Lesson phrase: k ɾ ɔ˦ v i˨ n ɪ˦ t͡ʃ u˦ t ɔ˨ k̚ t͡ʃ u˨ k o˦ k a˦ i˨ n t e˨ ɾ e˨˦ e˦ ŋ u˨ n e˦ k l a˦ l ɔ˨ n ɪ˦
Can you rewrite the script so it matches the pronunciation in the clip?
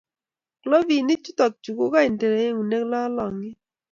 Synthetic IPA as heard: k l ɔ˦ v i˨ n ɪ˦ t͡ʃ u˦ t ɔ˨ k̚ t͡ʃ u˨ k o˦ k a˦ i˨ n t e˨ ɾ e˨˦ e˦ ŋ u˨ n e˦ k l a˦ l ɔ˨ ŋ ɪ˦